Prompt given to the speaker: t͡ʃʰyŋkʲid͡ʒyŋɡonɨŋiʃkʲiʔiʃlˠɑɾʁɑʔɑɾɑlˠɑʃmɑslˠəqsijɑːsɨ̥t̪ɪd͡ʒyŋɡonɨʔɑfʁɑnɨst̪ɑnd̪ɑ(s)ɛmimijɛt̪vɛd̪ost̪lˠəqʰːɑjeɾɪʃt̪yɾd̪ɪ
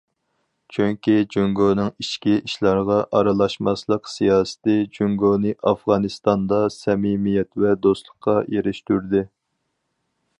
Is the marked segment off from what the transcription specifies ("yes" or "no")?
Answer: no